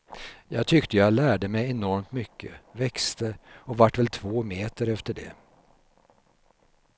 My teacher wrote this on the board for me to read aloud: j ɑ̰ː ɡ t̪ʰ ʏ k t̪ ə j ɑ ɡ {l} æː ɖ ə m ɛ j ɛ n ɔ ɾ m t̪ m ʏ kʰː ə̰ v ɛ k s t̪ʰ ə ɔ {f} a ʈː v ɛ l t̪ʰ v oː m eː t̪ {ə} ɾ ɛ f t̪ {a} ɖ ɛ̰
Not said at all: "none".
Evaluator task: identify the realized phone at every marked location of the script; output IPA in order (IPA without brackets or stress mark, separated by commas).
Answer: l, v, ə, ə